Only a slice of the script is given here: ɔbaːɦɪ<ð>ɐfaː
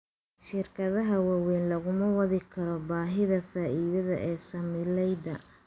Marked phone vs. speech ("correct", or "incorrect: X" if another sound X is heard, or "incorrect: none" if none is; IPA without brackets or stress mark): correct